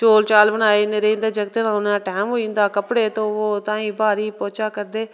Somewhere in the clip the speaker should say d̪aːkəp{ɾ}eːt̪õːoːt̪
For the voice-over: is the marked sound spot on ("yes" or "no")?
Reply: no